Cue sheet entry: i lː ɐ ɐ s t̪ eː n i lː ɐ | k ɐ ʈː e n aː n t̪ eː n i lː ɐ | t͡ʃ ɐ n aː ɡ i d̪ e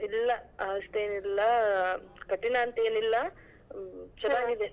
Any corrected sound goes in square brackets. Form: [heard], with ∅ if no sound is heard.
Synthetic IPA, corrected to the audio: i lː ɐ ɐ s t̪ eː n i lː ɐ | k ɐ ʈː [i] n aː n t̪ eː n i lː ɐ | t͡ʃ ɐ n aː ɡ i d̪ e